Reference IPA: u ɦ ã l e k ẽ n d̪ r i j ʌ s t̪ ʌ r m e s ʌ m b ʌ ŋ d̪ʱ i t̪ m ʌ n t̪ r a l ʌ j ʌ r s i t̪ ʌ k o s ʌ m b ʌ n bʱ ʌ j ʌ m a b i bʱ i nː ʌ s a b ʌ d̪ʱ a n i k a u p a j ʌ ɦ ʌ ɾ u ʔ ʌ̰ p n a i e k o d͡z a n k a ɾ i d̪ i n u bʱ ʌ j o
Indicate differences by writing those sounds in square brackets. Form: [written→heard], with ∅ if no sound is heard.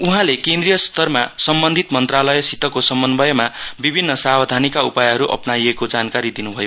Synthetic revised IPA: u ɦ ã l e k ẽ n d̪ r i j ʌ s t̪ ʌ r m [e→a] s ʌ m b ʌ [ŋ→n] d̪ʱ i t̪ m ʌ n t̪ r a l ʌ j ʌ [r→∅] s i t̪ ʌ k o s ʌ m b ʌ n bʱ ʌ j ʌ m a b i bʱ i nː ʌ s a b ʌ d̪ʱ a n i k a u p a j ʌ ɦ ʌ ɾ u ʔ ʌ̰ p n a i e k o d͡z a n k a ɾ i d̪ i n u bʱ ʌ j o